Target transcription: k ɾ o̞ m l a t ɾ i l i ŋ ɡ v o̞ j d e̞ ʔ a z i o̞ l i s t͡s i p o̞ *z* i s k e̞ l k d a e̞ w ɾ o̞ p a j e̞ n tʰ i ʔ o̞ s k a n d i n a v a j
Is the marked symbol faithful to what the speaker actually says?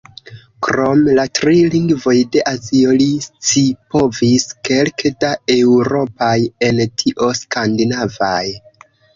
no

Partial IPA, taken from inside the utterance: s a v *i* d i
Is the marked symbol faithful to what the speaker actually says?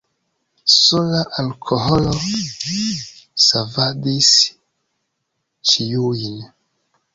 no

